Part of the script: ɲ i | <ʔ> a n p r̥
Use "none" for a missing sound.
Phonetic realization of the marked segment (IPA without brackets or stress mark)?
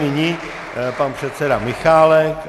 p